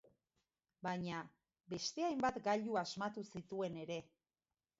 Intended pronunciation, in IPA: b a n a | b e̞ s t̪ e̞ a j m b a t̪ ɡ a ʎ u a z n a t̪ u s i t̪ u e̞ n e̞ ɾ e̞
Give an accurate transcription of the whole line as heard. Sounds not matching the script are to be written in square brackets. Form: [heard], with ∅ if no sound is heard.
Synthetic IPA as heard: b a [ɲ] a | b e̞ s t̪ e̞ a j m b a t̪ ɡ a ʎ u a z [m] a t̪ u s i t̪ u e̞ n e̞ ɾ e̞